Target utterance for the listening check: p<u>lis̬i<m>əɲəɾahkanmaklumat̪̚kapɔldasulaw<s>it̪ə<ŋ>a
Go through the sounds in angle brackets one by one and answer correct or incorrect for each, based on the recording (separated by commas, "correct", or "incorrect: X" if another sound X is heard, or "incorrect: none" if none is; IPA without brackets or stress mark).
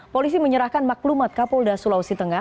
incorrect: o, correct, correct, correct